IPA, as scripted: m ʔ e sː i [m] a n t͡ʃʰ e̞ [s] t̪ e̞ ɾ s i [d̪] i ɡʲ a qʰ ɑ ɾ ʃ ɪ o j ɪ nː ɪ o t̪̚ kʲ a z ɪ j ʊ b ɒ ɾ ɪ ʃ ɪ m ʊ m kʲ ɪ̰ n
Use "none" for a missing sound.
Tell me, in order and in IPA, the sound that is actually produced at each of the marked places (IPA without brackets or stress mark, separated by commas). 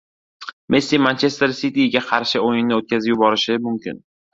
m, s, t̪